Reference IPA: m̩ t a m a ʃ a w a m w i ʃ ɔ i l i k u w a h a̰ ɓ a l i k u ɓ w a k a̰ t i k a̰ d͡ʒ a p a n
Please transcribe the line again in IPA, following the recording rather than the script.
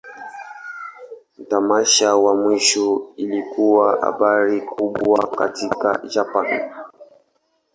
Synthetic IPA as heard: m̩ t a m a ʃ a w a m w i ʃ ɔ i l i k u w a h a̰ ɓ a ɾ i k u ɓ w a k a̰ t i k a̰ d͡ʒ a p a n